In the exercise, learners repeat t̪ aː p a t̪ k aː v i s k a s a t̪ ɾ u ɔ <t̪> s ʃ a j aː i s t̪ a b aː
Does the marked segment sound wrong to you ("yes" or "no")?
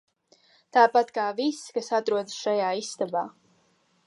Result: yes